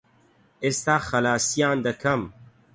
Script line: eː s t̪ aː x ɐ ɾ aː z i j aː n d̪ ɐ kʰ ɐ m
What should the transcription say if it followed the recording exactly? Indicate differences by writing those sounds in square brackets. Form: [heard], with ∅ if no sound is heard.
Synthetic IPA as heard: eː s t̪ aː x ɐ [l] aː [s] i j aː n d̪ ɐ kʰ ɐ m